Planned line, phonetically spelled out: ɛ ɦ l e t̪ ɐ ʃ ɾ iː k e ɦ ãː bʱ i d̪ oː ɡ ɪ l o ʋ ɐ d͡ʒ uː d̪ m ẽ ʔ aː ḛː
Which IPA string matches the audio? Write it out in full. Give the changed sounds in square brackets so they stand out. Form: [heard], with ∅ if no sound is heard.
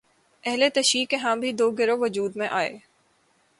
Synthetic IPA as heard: ɛ ɦ l e t̪ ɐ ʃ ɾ iː k e ɦ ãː bʱ i d̪ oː ɡ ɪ [ɾ] o ʋ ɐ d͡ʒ uː d̪ m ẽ ʔ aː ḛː